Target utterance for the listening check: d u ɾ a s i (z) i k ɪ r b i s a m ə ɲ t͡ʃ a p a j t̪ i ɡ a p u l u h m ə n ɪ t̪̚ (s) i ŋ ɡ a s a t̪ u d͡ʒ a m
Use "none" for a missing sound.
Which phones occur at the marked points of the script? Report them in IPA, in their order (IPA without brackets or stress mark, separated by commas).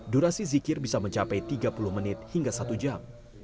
z, h